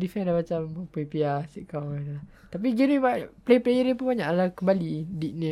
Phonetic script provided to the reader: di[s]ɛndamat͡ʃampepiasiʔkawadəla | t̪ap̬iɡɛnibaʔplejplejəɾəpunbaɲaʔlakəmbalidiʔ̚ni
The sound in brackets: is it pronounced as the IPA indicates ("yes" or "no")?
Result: no